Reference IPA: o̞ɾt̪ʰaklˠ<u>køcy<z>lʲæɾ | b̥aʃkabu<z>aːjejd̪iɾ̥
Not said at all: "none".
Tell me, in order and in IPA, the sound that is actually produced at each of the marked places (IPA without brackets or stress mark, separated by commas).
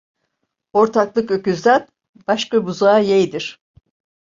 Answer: ɯ, z, z